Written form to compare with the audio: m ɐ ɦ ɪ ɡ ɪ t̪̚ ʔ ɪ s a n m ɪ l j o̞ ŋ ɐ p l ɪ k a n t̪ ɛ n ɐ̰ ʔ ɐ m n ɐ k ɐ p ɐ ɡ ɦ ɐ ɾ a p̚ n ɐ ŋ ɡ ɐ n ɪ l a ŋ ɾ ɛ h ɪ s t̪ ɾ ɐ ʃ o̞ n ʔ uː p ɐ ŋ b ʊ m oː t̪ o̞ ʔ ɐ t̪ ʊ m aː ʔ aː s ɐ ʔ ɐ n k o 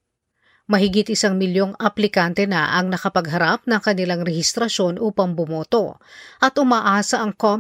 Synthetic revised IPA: m ɐ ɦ ɪ ɡ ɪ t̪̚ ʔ ɪ s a ŋ m ɪ l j o̞ ŋ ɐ p l ɪ k a n t̪ ɛ n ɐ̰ ʔ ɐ ŋ n ɐ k ɐ p ɐ ɡ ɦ ɐ ɾ a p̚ n ɐ ŋ k ɐ n ɪ l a ŋ ɾ ɛ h ɪ s t̪ ɾ ɐ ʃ o̞ n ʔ uː p ɐ ŋ b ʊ m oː t̪ o̞ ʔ ɐ t̪ ʊ m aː ʔ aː s ɐ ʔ ɐ ŋ k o